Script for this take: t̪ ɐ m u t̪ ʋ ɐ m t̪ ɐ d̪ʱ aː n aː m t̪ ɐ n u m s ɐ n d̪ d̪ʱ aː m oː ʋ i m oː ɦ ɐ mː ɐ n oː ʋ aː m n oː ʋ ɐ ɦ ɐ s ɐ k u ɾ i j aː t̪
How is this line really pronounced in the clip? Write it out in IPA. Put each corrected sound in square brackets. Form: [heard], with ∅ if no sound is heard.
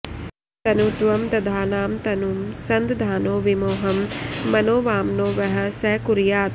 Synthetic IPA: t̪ ɐ [n] u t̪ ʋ ɐ m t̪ ɐ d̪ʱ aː n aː m t̪ ɐ n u m s ɐ n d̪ d̪ʱ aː [n] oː ʋ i m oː ɦ ɐ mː ɐ n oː ʋ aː m n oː ʋ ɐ ɦ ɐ s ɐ k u ɾ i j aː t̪